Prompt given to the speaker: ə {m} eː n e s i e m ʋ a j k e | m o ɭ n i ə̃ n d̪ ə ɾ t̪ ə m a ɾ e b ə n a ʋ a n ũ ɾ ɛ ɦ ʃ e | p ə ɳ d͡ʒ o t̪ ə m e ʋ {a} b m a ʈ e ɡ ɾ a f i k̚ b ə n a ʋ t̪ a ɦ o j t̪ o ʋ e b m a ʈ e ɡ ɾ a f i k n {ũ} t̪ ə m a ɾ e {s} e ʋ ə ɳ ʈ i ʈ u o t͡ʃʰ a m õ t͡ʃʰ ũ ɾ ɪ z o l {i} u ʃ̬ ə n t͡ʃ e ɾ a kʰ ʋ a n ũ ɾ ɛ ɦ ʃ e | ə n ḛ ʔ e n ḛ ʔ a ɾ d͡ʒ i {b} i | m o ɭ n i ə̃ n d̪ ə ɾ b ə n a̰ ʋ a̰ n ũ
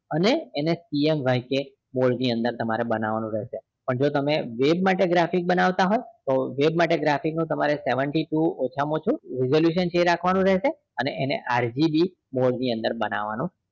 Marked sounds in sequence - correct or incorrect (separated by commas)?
incorrect, incorrect, correct, correct, incorrect, correct